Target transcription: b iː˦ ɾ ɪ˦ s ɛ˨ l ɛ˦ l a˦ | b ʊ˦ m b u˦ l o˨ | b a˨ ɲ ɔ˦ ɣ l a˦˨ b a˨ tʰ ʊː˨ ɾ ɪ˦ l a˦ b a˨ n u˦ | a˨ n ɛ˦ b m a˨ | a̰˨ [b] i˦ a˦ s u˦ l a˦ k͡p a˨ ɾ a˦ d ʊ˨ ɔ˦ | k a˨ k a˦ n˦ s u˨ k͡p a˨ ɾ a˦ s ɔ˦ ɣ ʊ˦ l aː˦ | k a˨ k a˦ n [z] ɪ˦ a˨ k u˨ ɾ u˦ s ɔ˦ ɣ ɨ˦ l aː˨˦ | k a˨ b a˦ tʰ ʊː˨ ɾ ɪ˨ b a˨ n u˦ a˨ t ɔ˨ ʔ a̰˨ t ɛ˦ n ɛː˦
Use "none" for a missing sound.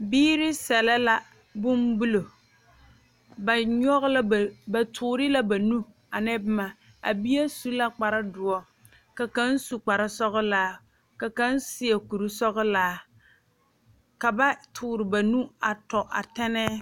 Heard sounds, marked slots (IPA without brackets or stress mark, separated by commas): b, s